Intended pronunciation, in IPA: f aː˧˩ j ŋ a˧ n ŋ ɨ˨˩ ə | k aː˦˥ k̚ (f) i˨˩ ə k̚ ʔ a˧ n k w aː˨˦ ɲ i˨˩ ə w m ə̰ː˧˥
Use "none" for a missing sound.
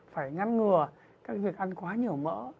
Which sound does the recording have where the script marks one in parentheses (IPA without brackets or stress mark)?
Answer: v